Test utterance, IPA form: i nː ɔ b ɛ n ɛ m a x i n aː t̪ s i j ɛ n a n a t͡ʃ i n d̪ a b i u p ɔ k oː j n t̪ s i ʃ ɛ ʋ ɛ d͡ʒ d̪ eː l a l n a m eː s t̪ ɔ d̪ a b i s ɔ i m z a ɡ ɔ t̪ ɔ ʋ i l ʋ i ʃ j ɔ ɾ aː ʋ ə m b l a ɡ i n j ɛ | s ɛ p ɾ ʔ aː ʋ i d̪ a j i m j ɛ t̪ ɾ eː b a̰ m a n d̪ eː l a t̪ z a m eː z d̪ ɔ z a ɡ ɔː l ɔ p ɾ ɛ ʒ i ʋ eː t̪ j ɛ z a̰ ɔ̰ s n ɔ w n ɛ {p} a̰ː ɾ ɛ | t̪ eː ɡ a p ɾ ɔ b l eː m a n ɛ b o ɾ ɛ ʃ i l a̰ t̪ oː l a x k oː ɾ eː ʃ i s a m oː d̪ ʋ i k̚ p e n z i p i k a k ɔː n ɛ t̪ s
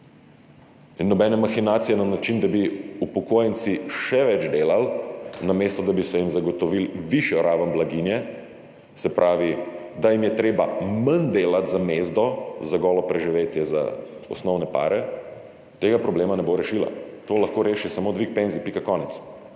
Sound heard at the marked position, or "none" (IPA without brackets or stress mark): p